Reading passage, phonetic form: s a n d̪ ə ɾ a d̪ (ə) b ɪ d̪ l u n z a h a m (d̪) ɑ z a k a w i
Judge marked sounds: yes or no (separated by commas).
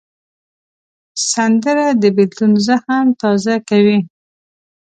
yes, no